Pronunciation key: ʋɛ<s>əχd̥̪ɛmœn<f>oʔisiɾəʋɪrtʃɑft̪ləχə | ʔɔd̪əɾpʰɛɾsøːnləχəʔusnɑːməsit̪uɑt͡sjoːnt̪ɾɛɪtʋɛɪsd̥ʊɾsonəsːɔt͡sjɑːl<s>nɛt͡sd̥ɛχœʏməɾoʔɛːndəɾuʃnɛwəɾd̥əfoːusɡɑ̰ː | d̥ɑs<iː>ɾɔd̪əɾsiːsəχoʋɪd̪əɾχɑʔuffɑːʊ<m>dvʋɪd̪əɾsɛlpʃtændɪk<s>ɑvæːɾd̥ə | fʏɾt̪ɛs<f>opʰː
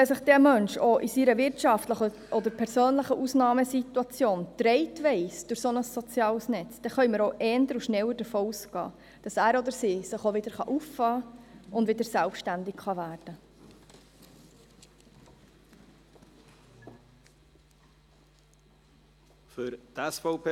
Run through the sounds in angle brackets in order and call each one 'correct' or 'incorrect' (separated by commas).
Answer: correct, incorrect, correct, incorrect, incorrect, incorrect, correct